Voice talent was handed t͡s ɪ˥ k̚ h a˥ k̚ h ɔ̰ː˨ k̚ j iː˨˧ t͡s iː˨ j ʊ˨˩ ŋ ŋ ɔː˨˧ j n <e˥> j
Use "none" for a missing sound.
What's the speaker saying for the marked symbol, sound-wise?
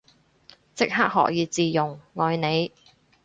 e˨˧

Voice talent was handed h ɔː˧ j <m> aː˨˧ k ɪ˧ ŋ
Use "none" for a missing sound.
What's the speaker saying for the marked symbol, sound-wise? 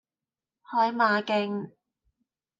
m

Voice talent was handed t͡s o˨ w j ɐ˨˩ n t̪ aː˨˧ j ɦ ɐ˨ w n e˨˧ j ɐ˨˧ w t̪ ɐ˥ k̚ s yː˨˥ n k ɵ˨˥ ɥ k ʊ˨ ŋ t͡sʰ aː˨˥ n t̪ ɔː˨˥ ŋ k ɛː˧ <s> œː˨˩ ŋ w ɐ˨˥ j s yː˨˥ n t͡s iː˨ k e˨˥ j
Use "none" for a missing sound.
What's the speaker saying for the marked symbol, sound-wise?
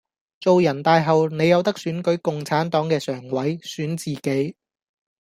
s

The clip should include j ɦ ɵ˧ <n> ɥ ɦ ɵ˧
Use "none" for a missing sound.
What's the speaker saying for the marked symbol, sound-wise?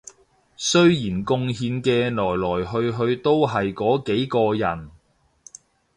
none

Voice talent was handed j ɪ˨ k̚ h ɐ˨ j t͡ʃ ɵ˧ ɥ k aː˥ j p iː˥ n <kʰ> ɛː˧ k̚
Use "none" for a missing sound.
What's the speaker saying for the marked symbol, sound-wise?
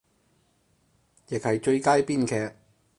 kʰ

